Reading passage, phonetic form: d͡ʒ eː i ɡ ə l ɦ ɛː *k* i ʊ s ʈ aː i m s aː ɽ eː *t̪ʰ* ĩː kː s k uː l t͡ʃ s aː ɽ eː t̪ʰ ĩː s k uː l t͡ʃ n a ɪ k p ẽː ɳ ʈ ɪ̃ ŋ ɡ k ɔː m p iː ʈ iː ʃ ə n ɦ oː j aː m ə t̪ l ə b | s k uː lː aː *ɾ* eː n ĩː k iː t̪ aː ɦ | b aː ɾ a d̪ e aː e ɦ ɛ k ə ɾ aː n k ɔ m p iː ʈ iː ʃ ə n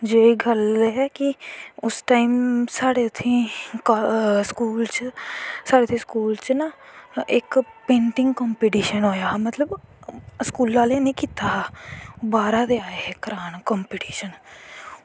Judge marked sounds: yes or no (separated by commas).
yes, yes, no